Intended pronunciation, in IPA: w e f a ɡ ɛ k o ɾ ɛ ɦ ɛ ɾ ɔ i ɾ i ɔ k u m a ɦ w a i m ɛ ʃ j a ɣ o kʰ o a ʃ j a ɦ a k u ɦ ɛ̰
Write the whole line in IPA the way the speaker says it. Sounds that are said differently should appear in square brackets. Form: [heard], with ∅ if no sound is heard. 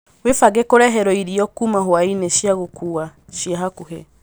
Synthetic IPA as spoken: w e f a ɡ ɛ k o ɾ ɛ ɦ ɛ ɾ ɔ i ɾ i ɔ k u m a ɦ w a i [n] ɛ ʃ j a ɣ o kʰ [u] a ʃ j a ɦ a k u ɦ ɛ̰

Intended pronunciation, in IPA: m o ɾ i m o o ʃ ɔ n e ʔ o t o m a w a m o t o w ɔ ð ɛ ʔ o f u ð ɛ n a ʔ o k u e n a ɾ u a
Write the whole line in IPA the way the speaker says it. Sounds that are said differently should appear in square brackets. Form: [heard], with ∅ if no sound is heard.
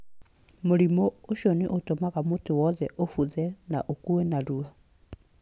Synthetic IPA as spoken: m o ɾ i m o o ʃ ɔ n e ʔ o t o m a [ɣ] a m o t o w ɔ ð ɛ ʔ o f u ð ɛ n a ʔ o k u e n a ɾ u a

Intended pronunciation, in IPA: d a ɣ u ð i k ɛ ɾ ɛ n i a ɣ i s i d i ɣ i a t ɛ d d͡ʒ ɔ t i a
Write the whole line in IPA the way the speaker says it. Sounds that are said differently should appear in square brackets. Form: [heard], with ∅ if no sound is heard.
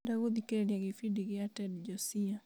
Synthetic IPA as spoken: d a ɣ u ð i k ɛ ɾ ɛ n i a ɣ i [f] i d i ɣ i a t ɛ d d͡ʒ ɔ [s] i a

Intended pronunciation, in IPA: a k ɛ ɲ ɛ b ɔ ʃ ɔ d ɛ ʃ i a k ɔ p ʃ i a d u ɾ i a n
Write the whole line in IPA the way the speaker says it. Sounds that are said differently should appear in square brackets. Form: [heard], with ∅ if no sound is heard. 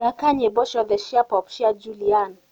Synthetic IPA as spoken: a k [a] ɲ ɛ b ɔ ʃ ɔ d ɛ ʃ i a [p] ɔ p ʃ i a [d͡ʒ] u [l] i a n

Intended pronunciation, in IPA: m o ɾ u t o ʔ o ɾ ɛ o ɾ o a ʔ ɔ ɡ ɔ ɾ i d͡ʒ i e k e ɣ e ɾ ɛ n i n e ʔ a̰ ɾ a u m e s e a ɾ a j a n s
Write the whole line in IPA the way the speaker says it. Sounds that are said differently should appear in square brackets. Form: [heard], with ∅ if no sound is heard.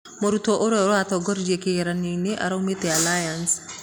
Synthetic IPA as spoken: m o ɾ u t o ʔ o ɾ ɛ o ɾ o a [t] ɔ ɡ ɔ ɾ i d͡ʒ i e k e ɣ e ɾ [a] n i n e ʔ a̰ ɾ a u m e [t] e a [l] a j a n s

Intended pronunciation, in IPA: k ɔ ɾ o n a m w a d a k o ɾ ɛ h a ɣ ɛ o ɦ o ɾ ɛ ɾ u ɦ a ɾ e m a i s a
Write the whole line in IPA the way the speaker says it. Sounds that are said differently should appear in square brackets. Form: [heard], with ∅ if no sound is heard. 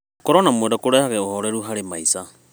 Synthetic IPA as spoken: k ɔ ɾ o n a m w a d a k o ɾ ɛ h a ɣ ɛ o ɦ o ɾ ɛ ɾ u ɦ a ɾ e m a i s a

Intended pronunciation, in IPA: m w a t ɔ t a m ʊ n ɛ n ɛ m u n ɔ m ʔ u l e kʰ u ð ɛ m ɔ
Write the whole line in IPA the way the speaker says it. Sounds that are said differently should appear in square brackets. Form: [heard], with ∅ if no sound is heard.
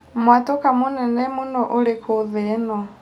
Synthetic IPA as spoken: m w a t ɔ [k] a m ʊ n ɛ n ɛ m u n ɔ [∅] ʔ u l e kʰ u ð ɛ [n] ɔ

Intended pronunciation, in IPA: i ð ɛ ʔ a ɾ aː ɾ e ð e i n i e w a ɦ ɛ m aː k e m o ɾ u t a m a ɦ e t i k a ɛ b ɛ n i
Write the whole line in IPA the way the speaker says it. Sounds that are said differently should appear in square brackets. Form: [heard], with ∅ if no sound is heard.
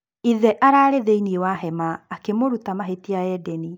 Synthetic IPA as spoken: i ð ɛ ʔ a ɾ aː ɾ e ð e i n i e w a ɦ ɛ m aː k e m o ɾ u t a m a ɦ e t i [∅] a ɛ [d] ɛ n i

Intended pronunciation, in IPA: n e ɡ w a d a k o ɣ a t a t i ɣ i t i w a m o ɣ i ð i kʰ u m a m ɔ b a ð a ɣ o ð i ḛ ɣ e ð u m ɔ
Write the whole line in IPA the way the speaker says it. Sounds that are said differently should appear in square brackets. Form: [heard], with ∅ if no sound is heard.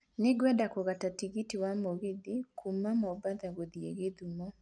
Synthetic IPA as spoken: n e ɡ w [ɛ] d a k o ɣ a t a t i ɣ i t i w a m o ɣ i ð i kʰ u m a m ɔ b a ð a ɣ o ð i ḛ ɣ e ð u m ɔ

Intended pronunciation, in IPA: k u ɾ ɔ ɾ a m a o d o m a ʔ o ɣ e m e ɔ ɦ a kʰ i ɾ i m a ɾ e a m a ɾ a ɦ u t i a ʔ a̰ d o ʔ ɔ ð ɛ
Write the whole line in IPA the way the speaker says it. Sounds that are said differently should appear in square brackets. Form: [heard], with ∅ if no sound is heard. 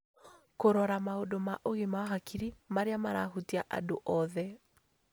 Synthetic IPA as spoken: k [o] ɾ ɔ ɾ a m a o d o m a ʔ o ɣ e m [a] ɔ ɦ a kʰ i ɾ i m a ɾ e a m a ɾ a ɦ u t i a ʔ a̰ d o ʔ ɔ ð ɛ

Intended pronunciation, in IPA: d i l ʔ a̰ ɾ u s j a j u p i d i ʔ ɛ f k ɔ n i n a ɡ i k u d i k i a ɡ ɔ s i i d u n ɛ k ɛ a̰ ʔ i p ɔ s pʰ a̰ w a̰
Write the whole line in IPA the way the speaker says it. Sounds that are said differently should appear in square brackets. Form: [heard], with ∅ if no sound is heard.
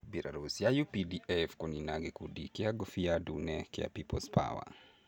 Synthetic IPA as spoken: [b] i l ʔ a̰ ɾ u s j a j u p i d i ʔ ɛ f k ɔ n i n a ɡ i k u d i k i a ɡ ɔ [f] i [a] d u n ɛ k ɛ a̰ [p] i p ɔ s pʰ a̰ w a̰

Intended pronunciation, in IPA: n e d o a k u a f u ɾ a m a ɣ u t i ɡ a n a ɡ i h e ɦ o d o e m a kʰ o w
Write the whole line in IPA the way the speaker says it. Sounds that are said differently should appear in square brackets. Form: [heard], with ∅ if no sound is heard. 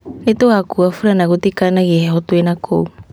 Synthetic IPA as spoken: n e [t] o a k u a f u ɾ a [n] a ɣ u t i [k] a n a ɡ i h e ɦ o [t] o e [n] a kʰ o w

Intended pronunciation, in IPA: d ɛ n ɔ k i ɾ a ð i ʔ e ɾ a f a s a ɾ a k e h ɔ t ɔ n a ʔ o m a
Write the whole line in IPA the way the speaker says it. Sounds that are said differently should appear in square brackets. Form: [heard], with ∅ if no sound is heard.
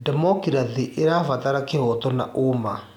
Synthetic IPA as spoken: d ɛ [m] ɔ k i ɾ a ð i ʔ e ɾ a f a [t] a ɾ a k e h ɔ t ɔ n a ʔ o m a

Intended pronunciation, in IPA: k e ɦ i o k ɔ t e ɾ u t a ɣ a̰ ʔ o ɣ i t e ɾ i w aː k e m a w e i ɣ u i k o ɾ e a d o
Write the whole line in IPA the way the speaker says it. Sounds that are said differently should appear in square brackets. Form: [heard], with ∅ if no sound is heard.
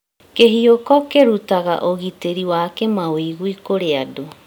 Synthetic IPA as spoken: k e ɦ i o k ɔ [k] e ɾ u t a ɣ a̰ ʔ o ɣ i t e ɾ i w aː k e m a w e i ɣ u i k o ɾ e a d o

